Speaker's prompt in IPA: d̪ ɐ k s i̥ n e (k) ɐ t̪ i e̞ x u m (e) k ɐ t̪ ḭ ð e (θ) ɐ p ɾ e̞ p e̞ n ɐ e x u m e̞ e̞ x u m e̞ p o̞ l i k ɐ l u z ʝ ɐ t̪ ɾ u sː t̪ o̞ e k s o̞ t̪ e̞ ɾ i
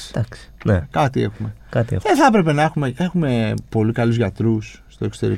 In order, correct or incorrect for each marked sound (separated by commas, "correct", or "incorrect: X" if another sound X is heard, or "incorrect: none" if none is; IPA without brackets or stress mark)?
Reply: correct, correct, correct